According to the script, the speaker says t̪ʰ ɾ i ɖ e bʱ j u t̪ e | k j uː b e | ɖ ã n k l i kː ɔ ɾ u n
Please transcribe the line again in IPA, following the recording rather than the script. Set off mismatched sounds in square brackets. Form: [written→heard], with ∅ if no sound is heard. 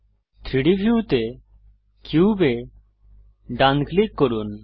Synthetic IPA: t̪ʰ ɾ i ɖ [e→i] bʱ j u t̪ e | k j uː b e | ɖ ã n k l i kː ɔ ɾ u n